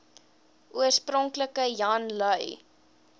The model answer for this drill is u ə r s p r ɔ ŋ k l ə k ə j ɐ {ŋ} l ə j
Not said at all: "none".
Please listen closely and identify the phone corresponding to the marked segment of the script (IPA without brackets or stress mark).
n